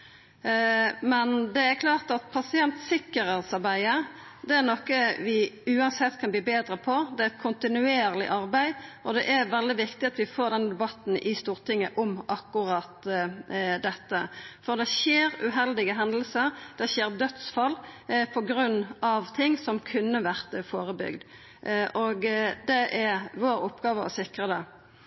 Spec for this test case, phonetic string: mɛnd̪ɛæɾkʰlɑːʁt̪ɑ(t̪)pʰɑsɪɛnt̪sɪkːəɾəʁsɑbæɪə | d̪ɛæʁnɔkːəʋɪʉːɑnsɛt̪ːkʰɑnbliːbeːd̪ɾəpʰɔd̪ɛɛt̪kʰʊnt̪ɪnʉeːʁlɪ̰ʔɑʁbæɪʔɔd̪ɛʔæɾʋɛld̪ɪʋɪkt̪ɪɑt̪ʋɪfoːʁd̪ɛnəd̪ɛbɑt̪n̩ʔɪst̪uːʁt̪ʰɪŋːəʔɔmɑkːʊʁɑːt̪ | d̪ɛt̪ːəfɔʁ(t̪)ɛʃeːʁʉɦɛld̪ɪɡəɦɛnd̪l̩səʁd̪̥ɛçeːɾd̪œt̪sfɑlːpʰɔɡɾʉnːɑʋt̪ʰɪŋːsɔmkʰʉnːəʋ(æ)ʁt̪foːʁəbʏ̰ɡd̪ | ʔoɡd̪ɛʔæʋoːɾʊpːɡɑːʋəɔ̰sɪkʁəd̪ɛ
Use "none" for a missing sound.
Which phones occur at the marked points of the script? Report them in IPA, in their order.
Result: t̪, d̪, æ

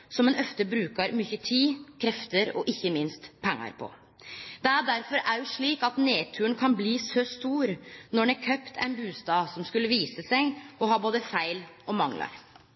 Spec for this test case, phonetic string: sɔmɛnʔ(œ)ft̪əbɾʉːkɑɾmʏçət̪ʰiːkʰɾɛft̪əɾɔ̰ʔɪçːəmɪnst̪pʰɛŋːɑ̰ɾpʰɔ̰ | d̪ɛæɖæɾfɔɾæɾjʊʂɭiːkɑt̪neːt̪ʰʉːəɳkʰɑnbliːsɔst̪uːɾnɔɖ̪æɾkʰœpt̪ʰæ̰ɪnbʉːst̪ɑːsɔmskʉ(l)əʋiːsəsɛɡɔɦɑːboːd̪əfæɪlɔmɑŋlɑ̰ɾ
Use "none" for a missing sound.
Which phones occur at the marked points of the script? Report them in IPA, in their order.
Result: œ, lː

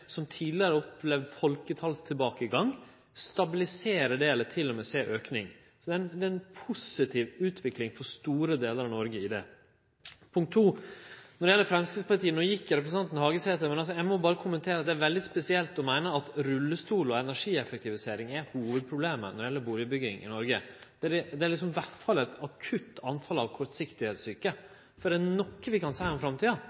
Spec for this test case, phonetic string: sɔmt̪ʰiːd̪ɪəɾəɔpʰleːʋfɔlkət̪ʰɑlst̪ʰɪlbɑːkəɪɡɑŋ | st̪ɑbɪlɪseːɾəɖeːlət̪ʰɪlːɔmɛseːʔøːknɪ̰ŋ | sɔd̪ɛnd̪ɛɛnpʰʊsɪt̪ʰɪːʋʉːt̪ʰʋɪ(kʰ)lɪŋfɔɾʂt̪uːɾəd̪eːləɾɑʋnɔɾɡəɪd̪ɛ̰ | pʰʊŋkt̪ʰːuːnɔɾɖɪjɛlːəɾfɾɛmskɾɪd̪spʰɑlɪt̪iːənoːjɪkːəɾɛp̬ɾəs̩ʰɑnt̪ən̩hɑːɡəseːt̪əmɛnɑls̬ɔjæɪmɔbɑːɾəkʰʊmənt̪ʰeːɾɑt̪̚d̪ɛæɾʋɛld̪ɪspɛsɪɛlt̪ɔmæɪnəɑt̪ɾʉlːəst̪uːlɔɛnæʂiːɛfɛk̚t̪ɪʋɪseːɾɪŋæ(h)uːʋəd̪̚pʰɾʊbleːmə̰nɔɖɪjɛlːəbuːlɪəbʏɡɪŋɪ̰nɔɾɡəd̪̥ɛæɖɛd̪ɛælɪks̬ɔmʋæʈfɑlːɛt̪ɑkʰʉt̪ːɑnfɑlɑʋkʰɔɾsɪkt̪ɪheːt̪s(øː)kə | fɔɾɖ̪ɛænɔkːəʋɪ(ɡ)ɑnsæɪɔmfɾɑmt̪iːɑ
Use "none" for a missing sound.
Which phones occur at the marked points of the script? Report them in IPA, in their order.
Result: k, h, yː, k

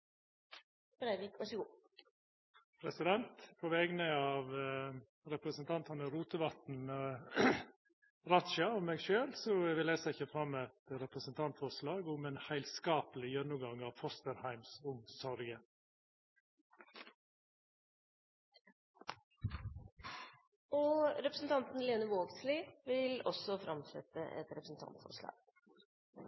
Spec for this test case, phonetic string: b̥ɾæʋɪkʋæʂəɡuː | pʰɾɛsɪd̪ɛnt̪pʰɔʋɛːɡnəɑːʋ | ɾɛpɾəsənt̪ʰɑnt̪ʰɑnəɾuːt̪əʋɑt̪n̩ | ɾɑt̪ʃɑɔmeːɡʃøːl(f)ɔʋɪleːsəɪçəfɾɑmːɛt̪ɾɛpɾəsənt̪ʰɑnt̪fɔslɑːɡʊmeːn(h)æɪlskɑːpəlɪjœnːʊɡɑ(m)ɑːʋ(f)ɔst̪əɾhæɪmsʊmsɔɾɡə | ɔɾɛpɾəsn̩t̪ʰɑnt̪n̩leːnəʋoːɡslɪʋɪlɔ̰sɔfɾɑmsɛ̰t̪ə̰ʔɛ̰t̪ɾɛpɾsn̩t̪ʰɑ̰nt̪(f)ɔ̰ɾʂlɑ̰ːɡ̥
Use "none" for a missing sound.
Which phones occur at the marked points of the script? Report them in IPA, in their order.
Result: s, h, ŋ, f, f

